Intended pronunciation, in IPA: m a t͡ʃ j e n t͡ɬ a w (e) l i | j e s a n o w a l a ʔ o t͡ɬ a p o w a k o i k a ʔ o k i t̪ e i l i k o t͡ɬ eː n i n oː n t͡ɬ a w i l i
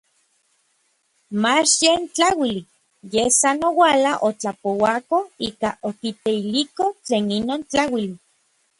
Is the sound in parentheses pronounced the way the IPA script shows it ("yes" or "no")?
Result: no